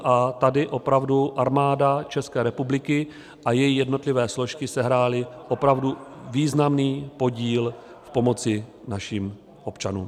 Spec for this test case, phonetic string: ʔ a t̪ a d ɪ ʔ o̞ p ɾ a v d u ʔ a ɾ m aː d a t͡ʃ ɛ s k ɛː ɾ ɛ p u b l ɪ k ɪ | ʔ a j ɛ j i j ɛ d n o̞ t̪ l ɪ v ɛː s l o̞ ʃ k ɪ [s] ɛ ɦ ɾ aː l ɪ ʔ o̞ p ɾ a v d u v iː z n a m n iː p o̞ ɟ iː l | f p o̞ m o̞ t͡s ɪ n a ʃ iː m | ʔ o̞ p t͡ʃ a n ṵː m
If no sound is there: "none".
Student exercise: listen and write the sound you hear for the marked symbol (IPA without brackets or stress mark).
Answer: s